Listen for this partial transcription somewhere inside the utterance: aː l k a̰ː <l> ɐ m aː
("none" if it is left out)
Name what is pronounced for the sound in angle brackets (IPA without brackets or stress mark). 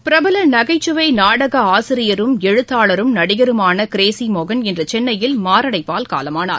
l